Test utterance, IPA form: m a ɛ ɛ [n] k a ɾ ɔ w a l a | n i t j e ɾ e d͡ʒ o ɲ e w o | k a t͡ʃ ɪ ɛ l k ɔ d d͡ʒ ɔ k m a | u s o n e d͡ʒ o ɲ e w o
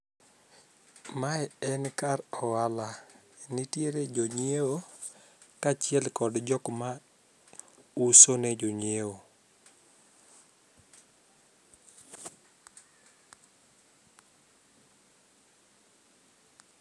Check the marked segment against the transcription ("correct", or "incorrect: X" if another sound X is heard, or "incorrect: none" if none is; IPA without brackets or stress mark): correct